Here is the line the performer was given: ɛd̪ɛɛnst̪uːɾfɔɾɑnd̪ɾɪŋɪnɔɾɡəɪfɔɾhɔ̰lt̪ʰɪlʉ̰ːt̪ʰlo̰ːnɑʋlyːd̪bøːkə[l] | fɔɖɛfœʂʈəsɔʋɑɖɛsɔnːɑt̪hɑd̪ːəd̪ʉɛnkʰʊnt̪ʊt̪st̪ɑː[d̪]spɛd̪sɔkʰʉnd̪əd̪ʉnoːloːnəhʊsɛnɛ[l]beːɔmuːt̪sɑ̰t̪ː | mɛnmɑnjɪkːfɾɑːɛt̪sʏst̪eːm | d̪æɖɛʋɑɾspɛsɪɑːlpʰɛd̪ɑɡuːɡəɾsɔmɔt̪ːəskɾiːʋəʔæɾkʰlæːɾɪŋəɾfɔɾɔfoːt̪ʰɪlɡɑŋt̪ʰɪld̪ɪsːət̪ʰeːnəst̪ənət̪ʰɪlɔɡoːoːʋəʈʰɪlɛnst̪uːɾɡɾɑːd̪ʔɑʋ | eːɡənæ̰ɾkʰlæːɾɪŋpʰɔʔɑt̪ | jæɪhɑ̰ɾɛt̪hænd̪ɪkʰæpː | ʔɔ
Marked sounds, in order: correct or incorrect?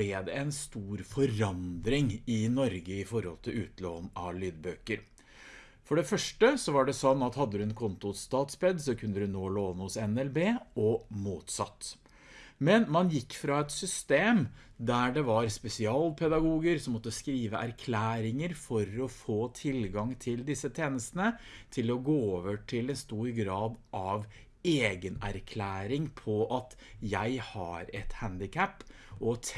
incorrect: ɾ, incorrect: t̪, correct

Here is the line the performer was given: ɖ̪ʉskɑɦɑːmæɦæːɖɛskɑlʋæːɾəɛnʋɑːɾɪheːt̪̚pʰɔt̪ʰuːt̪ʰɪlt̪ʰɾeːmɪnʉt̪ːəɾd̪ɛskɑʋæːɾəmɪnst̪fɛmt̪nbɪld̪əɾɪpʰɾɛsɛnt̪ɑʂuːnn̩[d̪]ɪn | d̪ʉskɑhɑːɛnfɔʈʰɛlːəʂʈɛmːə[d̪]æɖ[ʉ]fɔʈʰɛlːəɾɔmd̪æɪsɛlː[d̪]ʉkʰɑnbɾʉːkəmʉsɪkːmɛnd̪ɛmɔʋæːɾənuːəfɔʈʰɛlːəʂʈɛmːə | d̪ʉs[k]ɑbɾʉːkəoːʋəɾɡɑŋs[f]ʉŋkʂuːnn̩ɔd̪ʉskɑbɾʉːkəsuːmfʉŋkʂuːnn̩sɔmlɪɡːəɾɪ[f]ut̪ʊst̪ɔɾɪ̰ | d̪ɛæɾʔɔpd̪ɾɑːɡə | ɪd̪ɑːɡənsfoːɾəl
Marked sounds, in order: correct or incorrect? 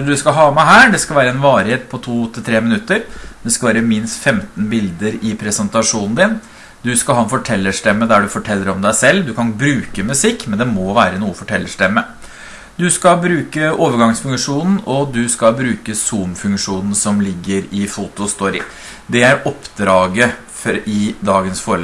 correct, correct, correct, correct, correct, correct, correct

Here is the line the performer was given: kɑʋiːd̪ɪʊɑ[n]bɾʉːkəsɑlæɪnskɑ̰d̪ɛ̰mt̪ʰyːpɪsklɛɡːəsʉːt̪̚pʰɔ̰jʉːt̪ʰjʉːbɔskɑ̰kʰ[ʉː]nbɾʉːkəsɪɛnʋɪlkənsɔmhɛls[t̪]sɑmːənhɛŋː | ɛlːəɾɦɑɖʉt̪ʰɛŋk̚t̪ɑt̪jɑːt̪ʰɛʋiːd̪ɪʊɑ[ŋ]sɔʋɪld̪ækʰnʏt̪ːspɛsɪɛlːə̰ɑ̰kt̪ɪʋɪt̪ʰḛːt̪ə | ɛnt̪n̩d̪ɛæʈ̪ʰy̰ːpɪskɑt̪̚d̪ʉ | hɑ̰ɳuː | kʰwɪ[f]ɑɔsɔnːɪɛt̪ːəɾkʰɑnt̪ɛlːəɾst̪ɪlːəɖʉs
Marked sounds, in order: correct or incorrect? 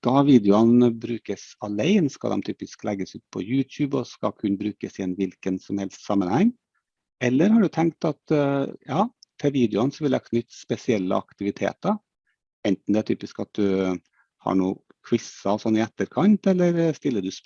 correct, incorrect: ʉ, correct, incorrect: n, incorrect: s

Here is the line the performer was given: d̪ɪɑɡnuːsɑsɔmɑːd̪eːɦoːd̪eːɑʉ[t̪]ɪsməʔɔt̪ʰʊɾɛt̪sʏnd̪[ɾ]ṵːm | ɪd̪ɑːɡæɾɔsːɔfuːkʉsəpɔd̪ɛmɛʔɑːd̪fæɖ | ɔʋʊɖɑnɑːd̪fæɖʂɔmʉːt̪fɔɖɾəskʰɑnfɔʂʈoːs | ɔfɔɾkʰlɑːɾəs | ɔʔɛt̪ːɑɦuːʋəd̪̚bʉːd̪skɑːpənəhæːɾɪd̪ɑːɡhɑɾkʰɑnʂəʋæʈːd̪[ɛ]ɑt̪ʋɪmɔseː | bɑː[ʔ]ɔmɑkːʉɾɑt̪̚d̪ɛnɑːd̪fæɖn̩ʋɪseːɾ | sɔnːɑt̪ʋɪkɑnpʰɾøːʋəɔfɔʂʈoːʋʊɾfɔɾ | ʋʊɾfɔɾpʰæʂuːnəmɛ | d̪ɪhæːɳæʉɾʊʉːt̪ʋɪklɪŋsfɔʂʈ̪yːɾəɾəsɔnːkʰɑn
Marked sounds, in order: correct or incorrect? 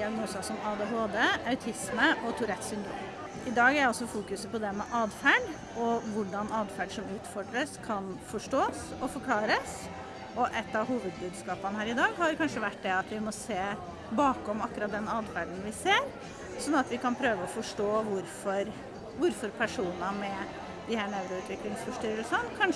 incorrect: t̪ʰ, correct, correct, incorrect: k

